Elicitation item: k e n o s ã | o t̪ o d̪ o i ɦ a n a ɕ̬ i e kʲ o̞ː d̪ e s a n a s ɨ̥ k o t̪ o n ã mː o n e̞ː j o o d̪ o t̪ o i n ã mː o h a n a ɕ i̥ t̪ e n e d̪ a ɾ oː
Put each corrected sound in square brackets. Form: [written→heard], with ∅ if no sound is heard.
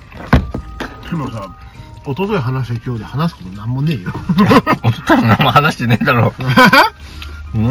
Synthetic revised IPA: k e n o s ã | o t̪ o [d̪→t̪] o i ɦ a n a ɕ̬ i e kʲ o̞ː d̪ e [s→h] a n a s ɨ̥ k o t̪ o n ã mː o n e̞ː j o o [d̪→t̪] o t̪ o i n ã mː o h a n a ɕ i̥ t̪ e n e d̪ a ɾ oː